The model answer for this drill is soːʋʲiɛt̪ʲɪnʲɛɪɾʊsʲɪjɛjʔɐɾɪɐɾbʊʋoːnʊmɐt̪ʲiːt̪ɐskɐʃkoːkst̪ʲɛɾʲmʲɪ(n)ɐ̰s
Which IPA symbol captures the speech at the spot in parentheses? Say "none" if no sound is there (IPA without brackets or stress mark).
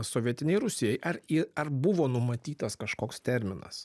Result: n